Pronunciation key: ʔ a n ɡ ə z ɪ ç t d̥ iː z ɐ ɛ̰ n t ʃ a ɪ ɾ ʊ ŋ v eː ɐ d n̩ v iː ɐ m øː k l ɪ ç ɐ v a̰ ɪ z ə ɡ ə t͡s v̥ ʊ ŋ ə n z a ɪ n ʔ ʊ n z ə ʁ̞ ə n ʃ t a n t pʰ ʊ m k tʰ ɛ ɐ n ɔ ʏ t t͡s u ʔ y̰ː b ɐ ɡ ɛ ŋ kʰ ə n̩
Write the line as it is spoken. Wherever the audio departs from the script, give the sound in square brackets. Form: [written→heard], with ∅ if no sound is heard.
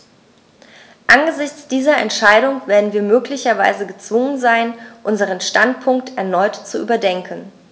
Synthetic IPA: ʔ a n ɡ ə z ɪ ç [t→t͡s] d̥ iː z ɐ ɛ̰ n t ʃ a ɪ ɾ ʊ ŋ v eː ɐ d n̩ v iː ɐ m øː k l ɪ ç ɐ v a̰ ɪ z ə ɡ ə t͡s v̥ ʊ ŋ ə n z a ɪ n ʔ ʊ n z ə ʁ̞ ə n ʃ t a n t pʰ ʊ [m→ŋ] k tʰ ɛ ɐ n ɔ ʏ t t͡s u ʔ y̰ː b ɐ [ɡ→d] ɛ ŋ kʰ ə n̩